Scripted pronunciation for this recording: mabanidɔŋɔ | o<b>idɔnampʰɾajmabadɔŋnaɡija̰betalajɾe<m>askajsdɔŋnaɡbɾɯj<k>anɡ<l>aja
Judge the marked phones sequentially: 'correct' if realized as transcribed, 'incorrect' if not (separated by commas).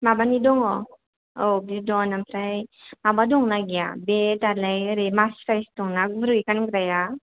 correct, correct, correct, incorrect